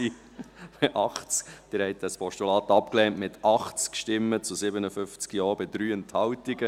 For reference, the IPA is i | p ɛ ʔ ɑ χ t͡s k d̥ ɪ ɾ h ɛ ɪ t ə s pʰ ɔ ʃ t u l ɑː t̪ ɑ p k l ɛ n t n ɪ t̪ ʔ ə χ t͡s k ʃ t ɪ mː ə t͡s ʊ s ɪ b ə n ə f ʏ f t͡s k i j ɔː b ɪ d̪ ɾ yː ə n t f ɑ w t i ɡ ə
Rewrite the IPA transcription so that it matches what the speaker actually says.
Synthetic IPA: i | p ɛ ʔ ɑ χ t͡s k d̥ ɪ ɾ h ɛ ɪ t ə s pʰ ɔ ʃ t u l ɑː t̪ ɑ p k l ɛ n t m ɪ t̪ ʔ ɑ χ t͡s k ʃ t ɪ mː ə t͡s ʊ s ɪ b ə n ə f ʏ f t͡s k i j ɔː b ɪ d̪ ɾ yː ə n t h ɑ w t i ɡ ə